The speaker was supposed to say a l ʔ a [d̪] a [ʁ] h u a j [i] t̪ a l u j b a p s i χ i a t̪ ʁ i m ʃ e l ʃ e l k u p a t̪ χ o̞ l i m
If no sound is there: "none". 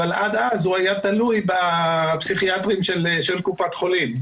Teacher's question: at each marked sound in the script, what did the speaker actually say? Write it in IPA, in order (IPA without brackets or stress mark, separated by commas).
d̪, z, a